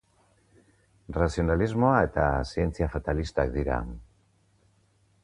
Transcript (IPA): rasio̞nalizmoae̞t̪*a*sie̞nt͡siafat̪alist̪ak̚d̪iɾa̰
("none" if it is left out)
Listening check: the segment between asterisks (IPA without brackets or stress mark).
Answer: a